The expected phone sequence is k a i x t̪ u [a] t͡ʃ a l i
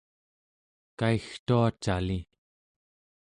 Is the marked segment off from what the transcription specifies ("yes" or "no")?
no